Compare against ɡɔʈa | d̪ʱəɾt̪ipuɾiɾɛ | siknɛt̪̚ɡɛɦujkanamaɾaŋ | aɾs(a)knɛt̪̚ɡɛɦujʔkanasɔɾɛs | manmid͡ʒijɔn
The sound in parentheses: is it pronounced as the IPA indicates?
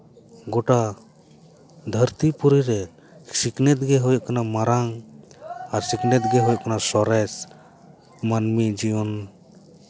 no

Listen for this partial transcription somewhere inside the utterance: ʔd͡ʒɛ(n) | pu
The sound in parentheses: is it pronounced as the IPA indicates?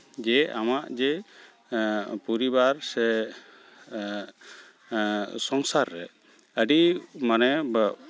no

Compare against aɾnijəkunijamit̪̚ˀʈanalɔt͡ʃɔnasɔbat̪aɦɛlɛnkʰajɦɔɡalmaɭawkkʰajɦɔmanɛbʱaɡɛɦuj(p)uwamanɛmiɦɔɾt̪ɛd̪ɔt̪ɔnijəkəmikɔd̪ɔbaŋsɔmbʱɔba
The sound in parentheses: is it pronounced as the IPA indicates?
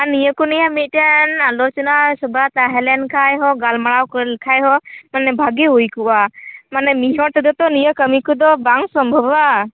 no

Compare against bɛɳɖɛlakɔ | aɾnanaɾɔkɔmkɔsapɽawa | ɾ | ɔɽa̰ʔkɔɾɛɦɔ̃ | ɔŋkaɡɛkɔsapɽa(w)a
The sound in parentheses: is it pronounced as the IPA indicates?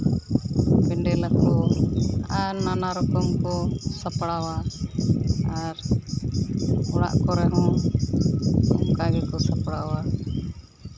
yes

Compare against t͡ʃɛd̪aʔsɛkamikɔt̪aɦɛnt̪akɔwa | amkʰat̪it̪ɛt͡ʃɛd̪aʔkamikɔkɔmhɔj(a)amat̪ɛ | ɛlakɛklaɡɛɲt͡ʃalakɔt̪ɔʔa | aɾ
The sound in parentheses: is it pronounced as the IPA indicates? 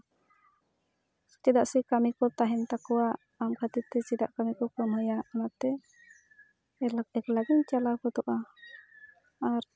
yes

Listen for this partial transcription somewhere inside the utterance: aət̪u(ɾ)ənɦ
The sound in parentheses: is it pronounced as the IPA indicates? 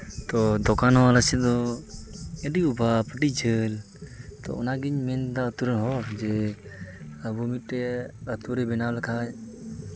yes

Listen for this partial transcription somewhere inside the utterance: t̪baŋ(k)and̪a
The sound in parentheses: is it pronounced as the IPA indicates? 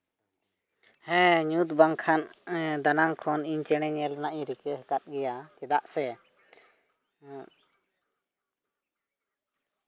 no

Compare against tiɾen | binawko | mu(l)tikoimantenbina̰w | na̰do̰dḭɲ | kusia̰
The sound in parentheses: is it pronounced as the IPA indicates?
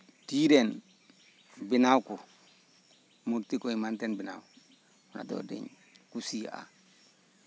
no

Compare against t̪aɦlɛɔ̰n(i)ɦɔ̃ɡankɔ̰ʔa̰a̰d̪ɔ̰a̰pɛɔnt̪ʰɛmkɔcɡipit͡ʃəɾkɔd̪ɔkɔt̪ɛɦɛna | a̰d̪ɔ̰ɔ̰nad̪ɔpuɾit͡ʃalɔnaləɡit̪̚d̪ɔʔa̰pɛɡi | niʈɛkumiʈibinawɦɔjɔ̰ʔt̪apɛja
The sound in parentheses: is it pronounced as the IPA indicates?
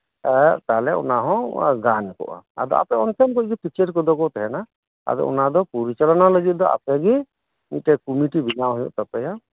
no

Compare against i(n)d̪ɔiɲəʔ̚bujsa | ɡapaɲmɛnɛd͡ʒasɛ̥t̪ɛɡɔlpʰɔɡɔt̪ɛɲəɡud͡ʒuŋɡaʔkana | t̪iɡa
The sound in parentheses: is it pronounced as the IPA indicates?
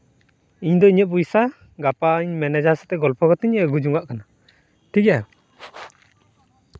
no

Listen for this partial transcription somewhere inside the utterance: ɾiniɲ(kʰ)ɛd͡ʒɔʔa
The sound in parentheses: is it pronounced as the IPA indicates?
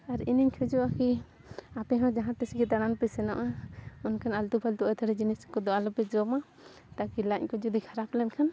yes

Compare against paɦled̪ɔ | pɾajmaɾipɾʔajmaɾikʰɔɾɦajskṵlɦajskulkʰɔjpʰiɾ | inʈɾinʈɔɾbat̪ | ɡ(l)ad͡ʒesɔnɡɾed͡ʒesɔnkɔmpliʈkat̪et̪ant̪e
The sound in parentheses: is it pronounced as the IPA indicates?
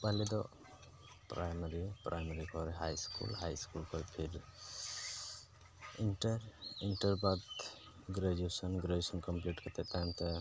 no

